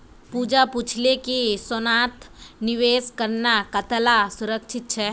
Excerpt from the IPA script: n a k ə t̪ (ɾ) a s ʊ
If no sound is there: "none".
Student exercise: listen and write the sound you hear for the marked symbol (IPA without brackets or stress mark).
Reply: l